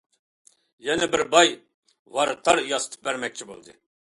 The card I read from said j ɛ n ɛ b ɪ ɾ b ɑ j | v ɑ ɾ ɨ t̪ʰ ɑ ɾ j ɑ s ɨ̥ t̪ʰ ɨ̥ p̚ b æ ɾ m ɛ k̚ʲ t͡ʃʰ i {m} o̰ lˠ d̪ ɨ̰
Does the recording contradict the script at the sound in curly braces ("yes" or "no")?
yes